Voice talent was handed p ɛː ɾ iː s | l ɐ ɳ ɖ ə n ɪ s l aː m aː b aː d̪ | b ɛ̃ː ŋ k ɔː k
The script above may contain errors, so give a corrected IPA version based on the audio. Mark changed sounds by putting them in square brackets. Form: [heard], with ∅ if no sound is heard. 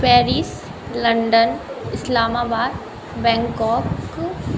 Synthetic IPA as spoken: p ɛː ɾ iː s | l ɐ ɳ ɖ ə n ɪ s l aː m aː b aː d̪ | b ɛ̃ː ŋ k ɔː k